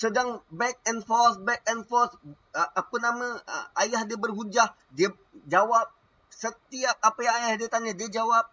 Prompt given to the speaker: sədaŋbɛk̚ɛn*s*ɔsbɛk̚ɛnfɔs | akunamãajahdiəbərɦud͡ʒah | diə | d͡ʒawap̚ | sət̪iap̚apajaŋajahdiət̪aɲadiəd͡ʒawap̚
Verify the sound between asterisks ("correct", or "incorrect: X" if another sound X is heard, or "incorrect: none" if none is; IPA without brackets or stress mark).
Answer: incorrect: f